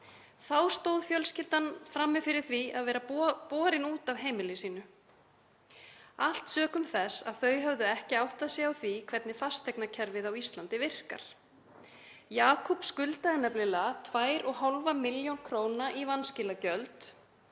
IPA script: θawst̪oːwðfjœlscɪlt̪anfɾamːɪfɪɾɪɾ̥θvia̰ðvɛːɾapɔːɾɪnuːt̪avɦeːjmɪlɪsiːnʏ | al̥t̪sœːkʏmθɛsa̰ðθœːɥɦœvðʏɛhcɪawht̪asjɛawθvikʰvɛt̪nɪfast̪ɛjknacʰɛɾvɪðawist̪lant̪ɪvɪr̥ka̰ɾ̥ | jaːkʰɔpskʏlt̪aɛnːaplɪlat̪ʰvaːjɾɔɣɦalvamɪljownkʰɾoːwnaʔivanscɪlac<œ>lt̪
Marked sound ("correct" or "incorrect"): correct